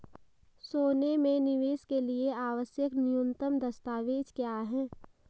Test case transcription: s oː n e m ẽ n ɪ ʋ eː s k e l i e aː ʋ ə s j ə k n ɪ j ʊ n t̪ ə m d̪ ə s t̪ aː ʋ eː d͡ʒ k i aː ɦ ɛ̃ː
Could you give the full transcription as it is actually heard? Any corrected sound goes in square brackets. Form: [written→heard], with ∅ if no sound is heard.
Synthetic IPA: s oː n e m ẽ n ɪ ʋ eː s k e l i e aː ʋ ə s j ə k n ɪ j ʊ n t̪ ə m d̪ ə s t̪ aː ʋ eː d͡ʒ k [i→j] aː ɦ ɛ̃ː